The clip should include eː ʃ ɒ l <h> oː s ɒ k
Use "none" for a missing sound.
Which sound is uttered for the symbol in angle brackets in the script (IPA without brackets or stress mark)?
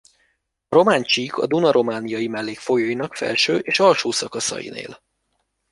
ʃ